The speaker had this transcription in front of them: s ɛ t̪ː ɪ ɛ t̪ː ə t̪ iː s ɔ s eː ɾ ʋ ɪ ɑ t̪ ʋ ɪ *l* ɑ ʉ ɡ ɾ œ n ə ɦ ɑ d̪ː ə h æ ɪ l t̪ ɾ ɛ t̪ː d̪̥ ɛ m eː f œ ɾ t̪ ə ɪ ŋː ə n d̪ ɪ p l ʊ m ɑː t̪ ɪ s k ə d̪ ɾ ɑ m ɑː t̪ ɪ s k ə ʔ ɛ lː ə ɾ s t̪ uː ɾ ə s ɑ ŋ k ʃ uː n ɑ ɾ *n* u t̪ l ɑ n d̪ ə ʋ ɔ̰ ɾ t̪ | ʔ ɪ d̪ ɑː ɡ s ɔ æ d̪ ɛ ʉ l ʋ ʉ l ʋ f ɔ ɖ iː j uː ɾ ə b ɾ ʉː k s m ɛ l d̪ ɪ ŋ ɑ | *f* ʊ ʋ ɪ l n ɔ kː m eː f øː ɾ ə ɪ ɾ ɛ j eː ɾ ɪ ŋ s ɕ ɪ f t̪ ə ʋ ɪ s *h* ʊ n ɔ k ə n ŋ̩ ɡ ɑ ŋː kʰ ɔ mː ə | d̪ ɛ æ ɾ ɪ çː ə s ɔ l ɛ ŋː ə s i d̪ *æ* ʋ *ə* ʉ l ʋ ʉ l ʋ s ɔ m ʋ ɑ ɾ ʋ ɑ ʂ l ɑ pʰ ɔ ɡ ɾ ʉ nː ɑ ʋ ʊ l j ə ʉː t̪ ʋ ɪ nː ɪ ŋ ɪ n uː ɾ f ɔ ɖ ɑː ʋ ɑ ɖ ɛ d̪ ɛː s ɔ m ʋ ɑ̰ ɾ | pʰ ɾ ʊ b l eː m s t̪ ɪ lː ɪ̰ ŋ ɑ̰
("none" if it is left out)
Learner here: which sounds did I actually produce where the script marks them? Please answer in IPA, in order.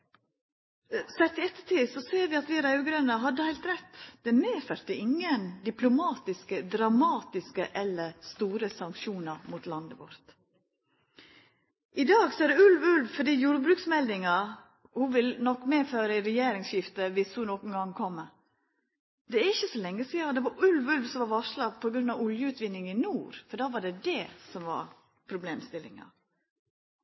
ɾ, m, h, h, ɛ, ɑ

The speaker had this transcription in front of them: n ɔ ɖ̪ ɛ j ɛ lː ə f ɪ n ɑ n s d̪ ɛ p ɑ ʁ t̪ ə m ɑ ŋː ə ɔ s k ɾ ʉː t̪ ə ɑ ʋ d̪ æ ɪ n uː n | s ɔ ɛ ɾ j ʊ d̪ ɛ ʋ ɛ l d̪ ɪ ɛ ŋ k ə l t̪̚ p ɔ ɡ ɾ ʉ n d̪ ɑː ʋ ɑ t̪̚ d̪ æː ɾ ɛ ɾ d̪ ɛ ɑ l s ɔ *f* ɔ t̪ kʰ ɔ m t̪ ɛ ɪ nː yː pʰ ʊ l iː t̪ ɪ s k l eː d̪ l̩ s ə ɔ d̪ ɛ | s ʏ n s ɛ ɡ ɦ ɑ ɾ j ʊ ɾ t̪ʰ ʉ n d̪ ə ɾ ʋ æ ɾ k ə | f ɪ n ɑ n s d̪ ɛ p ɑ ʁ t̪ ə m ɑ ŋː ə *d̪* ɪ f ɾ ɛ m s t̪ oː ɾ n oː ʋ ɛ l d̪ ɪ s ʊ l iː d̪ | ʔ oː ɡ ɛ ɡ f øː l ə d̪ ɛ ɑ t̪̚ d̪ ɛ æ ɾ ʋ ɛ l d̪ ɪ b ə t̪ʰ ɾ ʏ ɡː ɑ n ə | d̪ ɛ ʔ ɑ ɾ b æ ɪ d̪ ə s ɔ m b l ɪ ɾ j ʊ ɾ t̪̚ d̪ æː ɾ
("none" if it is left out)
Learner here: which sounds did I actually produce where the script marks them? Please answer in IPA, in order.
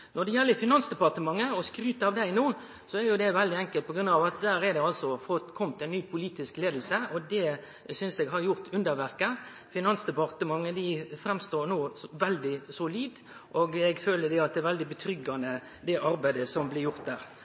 f, d̪

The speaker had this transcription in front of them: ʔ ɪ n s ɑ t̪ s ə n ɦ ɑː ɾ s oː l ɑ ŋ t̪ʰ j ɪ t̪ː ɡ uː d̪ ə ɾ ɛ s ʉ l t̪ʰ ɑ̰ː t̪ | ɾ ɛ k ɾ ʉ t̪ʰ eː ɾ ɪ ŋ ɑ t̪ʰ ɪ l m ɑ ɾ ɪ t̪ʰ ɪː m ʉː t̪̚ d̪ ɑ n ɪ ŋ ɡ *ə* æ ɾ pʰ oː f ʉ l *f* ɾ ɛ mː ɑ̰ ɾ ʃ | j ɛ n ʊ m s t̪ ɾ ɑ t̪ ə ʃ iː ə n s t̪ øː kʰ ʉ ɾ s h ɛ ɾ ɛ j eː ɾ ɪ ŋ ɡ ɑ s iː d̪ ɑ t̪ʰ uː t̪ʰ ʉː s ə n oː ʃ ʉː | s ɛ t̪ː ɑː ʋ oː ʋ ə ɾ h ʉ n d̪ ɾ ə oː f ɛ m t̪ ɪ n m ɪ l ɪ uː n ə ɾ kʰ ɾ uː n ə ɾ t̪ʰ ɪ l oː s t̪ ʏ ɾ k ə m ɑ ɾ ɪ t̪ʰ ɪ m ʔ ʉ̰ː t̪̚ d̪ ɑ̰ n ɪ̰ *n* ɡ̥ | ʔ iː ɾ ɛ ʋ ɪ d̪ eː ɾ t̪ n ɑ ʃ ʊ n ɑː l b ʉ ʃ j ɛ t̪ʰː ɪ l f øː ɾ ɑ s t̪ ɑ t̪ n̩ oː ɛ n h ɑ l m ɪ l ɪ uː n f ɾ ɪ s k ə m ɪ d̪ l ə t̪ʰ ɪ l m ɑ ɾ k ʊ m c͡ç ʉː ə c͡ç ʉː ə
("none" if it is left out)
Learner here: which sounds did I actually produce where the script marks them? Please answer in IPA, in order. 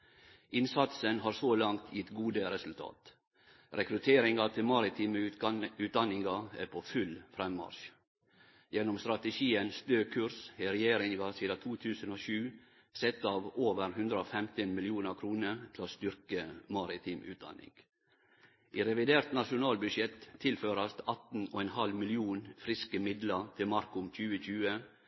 ɑ, f, ŋ

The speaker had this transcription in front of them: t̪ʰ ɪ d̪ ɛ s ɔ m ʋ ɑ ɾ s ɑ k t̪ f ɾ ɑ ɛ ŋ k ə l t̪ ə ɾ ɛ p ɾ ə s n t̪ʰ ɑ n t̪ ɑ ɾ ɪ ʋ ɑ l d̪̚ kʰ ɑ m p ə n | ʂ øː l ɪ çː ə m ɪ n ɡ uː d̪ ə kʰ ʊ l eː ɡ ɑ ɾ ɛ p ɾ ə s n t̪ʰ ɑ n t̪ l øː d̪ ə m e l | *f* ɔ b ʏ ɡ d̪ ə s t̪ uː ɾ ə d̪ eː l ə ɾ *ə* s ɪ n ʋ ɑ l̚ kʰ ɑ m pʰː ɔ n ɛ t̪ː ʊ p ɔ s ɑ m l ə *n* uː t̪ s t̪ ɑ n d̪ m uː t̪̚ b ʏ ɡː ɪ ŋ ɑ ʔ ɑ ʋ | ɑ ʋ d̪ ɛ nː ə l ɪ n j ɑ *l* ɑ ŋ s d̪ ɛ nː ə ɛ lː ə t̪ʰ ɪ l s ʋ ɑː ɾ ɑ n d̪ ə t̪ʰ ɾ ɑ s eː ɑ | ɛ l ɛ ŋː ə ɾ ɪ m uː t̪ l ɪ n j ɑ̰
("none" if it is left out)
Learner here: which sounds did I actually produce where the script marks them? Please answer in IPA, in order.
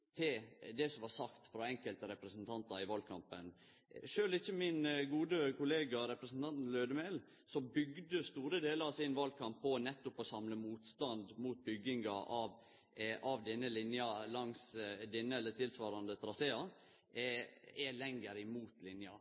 s, ɑ, m, l

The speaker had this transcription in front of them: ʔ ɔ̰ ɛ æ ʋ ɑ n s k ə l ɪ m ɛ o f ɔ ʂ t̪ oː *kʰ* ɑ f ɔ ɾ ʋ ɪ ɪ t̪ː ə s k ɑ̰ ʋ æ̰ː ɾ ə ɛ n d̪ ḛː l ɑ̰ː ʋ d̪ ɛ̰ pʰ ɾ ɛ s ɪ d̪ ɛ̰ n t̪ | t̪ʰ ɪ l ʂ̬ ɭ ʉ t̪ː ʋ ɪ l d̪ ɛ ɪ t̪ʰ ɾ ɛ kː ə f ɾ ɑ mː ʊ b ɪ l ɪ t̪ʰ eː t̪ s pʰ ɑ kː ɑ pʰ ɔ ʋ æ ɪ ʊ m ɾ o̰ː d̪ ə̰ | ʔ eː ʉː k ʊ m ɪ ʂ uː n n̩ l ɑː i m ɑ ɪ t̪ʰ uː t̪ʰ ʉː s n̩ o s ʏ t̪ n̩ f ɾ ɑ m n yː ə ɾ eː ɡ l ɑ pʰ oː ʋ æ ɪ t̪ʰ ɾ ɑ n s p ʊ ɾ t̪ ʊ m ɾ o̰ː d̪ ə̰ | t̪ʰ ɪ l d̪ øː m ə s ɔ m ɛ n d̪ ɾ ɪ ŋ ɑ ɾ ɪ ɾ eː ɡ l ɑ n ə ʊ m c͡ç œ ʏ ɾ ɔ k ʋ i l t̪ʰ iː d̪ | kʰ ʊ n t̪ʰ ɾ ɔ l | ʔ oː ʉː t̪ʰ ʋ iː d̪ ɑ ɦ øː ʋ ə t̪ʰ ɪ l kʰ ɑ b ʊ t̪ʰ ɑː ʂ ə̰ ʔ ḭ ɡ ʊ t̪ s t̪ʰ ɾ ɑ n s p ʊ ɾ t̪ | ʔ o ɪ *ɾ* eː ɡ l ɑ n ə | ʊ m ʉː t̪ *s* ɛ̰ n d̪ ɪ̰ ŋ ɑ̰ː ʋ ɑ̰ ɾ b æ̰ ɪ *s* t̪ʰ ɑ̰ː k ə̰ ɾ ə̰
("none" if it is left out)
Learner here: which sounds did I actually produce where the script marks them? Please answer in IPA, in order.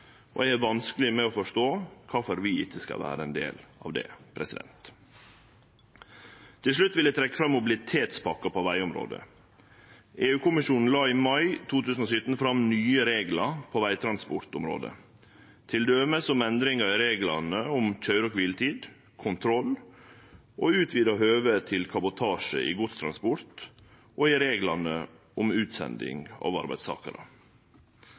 kʰ, ɾ, s, s

